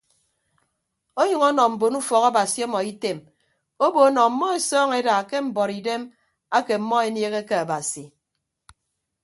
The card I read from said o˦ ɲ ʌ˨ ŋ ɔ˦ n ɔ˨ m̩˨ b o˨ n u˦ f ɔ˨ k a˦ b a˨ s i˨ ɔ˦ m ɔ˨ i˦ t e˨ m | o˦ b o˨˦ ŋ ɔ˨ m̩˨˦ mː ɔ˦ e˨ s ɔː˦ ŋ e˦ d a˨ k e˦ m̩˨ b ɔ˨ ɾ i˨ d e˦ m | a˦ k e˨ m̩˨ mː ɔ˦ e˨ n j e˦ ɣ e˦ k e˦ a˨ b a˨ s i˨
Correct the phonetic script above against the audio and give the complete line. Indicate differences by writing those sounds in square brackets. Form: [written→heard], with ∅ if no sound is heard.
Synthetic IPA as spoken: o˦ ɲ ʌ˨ ŋ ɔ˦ n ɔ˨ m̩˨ b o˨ n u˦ f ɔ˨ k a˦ b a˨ s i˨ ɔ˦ m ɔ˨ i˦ t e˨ m | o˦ b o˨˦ [ŋ→n] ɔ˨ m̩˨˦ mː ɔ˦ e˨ s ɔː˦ ŋ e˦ d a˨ k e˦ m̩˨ b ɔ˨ ɾ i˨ d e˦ m | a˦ k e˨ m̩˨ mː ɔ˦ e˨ n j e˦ ɣ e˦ k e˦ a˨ b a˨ s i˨